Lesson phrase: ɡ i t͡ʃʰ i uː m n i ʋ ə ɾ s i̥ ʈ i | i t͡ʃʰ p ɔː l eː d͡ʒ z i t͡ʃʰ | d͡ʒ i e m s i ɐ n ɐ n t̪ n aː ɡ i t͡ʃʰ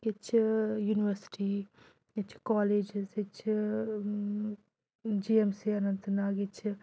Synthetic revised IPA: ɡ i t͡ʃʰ j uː n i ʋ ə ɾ s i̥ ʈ i | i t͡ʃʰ k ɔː l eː d͡ʒ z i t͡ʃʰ | d͡ʒ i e m s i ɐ n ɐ n t̪ n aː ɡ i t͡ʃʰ